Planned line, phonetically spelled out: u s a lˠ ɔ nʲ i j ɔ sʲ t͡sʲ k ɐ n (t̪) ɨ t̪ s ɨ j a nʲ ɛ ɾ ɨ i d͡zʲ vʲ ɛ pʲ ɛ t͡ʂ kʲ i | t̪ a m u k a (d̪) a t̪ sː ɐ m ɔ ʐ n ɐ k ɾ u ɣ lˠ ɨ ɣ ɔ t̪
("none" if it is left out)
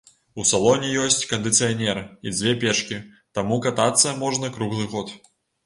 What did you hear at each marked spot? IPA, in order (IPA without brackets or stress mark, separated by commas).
d̪, t̪